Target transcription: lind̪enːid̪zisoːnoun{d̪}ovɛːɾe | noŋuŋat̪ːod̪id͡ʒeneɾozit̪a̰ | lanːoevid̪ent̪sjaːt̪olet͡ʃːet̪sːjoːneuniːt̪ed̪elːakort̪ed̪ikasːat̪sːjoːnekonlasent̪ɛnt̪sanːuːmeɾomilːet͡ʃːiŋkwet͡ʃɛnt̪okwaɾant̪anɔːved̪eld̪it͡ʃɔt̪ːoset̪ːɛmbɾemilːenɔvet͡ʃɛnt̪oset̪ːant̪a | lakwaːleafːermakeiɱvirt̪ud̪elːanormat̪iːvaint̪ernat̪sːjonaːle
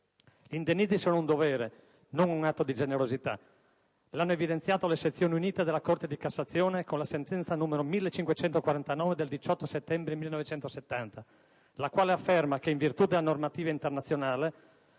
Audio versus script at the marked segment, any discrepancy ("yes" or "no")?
no